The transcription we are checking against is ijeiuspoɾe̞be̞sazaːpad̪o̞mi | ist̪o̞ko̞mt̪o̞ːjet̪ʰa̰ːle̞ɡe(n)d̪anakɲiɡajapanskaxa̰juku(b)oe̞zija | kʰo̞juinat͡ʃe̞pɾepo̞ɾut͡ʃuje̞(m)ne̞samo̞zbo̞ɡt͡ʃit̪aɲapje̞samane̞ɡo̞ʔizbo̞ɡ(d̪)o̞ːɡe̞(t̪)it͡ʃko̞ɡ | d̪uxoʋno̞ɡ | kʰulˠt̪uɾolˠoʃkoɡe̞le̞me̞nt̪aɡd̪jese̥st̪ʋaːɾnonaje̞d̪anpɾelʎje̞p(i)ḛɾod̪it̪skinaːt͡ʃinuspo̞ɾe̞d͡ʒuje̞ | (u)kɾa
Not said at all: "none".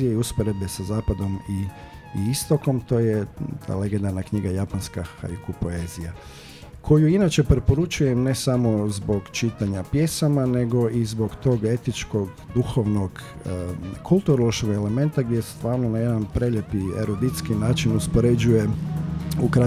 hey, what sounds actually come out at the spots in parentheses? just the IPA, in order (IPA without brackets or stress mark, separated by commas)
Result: n, p, m, t̪, t̪, i, u